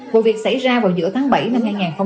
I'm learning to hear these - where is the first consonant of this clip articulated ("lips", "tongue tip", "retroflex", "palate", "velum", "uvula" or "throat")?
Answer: lips